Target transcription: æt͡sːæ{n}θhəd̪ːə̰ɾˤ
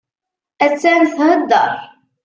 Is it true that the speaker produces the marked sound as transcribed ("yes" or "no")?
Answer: yes